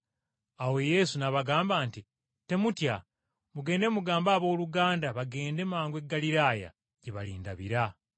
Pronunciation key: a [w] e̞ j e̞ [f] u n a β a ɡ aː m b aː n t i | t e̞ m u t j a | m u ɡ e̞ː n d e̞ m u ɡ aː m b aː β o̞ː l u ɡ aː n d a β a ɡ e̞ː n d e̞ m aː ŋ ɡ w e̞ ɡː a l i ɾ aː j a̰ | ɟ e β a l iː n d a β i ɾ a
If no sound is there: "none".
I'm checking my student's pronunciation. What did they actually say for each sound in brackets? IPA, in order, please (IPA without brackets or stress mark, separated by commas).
w, s